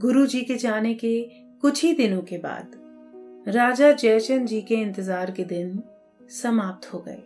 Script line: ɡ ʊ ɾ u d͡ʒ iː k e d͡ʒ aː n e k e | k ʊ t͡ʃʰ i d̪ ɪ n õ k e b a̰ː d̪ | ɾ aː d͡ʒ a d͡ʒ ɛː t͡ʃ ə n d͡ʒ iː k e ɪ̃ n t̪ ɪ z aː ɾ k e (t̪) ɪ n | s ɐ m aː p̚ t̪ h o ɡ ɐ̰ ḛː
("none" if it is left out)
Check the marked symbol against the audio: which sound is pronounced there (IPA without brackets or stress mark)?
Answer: d̪